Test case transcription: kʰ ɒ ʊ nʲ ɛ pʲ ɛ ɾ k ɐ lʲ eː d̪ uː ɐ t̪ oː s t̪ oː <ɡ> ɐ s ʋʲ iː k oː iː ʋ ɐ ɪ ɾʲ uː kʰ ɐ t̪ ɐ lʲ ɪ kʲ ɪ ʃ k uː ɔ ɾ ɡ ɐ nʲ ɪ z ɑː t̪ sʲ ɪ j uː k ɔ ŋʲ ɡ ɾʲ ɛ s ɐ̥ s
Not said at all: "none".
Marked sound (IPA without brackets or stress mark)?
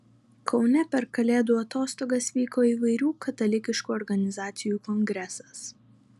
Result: ɡ